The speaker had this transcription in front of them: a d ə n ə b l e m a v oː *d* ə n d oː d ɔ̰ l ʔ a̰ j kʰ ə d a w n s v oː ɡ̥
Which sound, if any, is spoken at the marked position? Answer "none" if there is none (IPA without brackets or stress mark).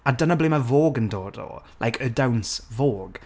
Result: ɡ